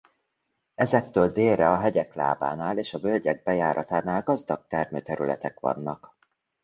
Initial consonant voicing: voiced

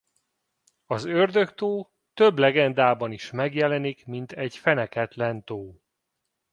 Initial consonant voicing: voiced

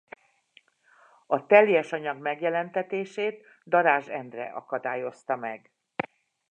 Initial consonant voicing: voiceless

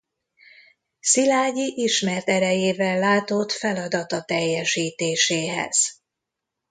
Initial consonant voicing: voiceless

